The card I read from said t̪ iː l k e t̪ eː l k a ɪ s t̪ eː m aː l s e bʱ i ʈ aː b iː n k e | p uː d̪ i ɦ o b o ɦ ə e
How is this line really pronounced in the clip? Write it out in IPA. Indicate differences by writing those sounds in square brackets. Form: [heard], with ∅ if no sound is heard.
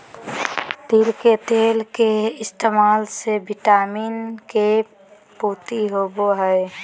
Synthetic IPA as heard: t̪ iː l k e t̪ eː l k [e] ɪ s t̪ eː m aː l s e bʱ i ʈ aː [m] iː n k e | p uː [t̪] i ɦ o b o ɦ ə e